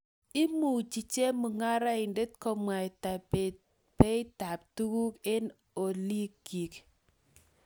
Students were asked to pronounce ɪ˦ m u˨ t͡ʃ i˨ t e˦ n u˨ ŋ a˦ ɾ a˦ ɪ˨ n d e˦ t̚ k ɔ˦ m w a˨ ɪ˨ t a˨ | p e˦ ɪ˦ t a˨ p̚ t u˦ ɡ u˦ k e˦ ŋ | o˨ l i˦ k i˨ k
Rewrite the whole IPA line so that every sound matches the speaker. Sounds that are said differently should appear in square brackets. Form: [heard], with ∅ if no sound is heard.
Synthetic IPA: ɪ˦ m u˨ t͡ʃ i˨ [t͡ʃ] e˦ [m] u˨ ŋ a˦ ɾ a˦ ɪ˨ n d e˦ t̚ k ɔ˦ m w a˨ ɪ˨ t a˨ | p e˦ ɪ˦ t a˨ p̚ t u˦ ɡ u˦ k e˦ [n] | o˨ l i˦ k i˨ k